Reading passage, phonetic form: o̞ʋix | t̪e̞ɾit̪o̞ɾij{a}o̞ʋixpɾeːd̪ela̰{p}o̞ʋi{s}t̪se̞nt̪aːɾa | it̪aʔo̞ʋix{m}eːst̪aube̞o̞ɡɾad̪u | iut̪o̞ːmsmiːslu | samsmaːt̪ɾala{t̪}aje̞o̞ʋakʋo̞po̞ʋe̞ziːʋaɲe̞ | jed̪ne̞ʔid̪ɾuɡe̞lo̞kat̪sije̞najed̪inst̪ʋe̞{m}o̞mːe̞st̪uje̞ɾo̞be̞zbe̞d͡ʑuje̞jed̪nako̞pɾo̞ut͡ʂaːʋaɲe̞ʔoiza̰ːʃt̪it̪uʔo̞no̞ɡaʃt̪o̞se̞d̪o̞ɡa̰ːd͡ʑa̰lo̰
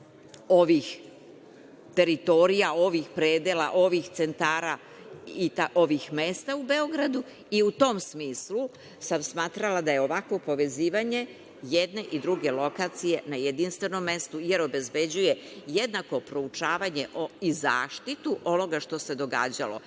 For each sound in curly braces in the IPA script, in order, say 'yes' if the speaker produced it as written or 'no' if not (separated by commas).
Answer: yes, no, no, yes, no, no